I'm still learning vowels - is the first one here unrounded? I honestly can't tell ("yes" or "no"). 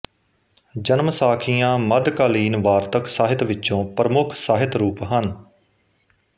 yes